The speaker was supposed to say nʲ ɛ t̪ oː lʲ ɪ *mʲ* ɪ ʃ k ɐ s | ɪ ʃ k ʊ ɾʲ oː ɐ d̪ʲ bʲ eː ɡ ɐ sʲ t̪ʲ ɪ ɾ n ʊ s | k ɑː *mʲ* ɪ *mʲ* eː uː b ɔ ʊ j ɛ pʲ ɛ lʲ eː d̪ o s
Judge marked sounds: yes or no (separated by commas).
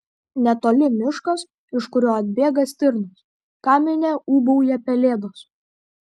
yes, yes, no